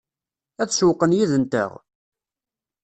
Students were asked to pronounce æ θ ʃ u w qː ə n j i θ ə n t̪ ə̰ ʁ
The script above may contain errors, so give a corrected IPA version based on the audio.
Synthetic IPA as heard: æ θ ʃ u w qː ə n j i ð ə n t̪ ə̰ ʁ